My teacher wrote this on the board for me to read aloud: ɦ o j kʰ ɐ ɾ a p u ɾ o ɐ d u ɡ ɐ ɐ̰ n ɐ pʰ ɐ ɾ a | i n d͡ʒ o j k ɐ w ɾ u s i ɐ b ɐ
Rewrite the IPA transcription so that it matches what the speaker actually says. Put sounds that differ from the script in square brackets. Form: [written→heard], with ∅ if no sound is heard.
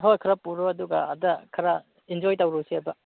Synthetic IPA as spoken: ɦ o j kʰ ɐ ɾ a p u ɾ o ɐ d u ɡ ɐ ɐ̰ [n→d] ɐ [pʰ→kʰ] ɐ ɾ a | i n d͡ʒ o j [k→t] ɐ w ɾ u s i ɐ b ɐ

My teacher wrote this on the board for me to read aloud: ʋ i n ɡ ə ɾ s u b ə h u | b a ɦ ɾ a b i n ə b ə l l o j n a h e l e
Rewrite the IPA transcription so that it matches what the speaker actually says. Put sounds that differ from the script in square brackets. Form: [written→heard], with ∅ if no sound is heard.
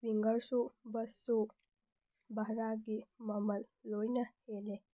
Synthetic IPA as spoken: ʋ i [n→ŋ] ɡ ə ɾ s u b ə [h→s] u | b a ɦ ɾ a [b→ɡ] i [n→m] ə [b→m] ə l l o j n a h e l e

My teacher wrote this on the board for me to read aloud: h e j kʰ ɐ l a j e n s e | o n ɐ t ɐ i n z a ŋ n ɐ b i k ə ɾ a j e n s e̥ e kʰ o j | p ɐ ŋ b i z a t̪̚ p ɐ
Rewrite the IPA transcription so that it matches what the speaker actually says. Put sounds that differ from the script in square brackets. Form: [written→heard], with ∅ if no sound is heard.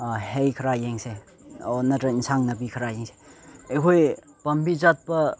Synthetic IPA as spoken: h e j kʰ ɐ [l→ɾ] a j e [n→ŋ] s e | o n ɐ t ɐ i n [z→s] a ŋ n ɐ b i [k→kʰ] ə ɾ a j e [n→ŋ] s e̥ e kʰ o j | p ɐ [ŋ→m] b i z a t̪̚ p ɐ

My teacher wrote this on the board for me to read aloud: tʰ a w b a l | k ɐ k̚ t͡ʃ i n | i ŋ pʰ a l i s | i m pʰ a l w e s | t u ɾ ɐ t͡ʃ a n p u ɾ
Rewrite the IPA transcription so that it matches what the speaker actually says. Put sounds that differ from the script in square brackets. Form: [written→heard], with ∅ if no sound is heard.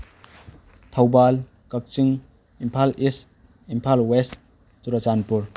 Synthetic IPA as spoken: tʰ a w b a l | k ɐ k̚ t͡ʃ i [n→ŋ] | i [ŋ→m] pʰ a l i s | i m pʰ a l w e s | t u ɾ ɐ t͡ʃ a n p u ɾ

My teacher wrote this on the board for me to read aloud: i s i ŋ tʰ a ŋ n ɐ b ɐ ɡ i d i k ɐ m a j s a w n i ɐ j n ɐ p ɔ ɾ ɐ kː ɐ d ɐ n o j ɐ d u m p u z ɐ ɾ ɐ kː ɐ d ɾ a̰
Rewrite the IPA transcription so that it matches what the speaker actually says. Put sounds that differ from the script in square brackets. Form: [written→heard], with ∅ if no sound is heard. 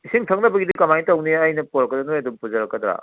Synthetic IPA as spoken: i s i ŋ tʰ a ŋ n ɐ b ɐ ɡ i d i k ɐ m a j [s→t] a w n i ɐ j n ɐ p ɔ ɾ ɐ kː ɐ d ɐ n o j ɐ d u m p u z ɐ ɾ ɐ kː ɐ d ɾ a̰

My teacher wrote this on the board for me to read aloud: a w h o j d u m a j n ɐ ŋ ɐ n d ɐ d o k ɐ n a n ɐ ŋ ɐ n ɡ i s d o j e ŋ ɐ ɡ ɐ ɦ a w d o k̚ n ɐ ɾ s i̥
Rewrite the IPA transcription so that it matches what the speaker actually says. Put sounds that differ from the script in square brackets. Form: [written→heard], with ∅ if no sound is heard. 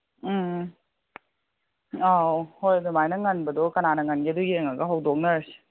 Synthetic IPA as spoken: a w h o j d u m a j n ɐ ŋ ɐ n [d→b] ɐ d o k ɐ n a n ɐ ŋ ɐ n ɡ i [s→∅] d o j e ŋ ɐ ɡ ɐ ɦ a w d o k̚ n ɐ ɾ s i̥

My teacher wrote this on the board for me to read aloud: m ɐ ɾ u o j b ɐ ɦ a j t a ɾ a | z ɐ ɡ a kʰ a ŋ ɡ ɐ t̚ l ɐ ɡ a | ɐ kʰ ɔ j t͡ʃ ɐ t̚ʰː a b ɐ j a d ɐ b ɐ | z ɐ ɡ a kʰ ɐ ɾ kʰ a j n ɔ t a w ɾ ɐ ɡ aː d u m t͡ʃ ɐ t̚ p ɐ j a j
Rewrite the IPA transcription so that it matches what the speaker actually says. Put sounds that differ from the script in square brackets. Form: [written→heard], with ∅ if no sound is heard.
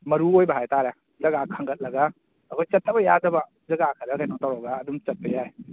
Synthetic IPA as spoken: m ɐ ɾ u o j b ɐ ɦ a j t a ɾ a | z ɐ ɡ a kʰ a ŋ ɡ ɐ t̚ l ɐ ɡ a | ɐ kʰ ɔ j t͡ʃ ɐ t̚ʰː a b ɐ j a d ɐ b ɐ | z ɐ ɡ a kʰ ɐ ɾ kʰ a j n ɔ t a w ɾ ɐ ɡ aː d u m t͡ʃ ɐ t̚ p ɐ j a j

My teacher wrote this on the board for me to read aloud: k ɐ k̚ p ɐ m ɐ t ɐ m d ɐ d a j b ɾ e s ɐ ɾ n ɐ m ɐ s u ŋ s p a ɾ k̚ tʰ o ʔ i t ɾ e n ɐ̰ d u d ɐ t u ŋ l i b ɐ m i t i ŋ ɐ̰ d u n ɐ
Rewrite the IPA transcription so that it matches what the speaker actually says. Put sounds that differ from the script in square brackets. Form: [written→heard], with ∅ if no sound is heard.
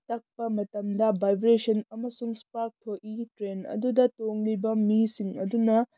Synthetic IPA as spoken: [k→t] ɐ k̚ p ɐ m ɐ t ɐ m d ɐ [d→b] a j b ɾ e s ɐ [ɾ→∅] n ɐ m ɐ s u ŋ s p a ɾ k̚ tʰ o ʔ i t ɾ e n ɐ̰ d u d ɐ t [u→o] ŋ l i b ɐ m i [t→s] i ŋ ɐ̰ d u n ɐ

